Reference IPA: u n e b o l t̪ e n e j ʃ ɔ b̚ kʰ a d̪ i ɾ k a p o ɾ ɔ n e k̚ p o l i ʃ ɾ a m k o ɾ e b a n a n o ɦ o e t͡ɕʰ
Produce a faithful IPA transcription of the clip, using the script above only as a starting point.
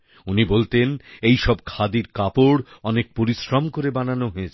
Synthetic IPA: u n i b o l t̪ e n e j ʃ ɔ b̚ kʰ a d̪ i ɾ k a p o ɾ ɔ n e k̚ p o ɾ i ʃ ɾ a m k o ɾ e b a n a n o ɦ o e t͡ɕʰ